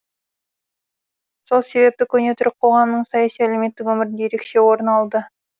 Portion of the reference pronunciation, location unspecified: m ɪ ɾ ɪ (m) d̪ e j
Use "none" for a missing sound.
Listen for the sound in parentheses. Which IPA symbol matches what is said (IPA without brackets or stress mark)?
n